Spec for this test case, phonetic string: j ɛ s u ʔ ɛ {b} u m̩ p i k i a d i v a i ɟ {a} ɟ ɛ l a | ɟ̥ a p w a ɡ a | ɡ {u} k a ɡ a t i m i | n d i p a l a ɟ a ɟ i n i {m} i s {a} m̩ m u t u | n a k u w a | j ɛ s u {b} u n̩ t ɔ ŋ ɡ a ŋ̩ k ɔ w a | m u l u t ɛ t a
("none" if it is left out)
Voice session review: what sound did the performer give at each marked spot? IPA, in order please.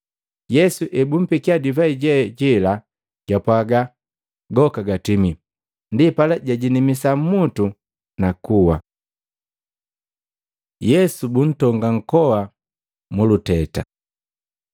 b, ɛ, ɔ, m, a, b

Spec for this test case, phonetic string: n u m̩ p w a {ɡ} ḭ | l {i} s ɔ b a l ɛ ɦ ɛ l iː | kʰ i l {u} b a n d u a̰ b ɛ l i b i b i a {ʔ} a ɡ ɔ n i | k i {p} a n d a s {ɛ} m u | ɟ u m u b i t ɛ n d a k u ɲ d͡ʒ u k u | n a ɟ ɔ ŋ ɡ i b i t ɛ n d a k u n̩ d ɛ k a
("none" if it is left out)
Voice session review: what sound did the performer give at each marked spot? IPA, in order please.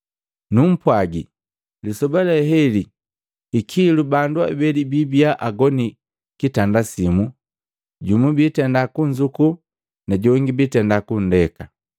ɡ, i, u, ʔ, t, i

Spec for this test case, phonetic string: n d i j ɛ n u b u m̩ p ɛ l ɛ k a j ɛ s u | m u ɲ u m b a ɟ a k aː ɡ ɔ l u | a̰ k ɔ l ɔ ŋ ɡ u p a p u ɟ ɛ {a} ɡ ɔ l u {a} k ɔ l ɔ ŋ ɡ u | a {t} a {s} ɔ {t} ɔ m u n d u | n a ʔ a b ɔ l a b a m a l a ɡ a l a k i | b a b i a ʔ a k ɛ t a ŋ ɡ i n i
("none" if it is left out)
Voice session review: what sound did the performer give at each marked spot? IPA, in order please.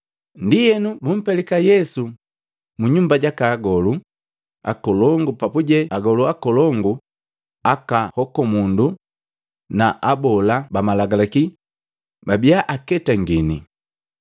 a, a, k, h, k

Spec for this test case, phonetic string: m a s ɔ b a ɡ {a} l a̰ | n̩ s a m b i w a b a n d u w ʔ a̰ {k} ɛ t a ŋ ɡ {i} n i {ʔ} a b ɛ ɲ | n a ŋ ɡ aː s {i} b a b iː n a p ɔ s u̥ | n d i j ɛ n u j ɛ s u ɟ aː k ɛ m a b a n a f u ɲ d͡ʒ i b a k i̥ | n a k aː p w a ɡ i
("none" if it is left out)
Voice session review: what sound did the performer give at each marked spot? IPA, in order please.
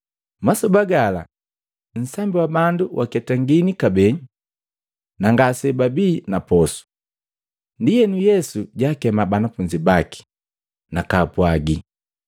a, k, i, k, ɛ

